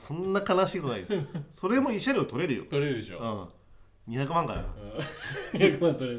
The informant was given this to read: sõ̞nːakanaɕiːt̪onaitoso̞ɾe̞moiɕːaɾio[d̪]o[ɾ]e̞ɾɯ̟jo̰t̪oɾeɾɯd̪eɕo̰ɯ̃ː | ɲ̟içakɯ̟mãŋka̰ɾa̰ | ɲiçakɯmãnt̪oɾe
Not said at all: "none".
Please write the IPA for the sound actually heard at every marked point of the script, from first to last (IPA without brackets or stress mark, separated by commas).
t̪, ɾ